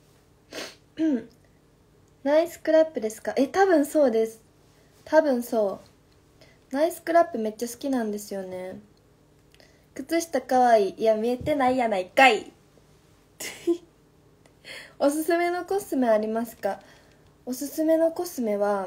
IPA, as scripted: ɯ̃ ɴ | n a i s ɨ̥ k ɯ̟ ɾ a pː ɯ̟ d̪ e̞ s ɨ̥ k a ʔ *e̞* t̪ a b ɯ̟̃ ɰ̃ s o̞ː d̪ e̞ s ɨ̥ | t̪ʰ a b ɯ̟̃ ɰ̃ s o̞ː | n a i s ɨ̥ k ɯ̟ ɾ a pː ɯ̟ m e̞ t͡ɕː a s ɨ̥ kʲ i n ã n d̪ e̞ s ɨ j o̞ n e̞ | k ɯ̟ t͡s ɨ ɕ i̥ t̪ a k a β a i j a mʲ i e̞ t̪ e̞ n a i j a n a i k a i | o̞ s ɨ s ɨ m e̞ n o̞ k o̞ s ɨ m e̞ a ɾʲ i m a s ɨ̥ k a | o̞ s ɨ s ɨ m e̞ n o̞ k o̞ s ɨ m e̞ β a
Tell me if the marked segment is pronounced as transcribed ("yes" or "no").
yes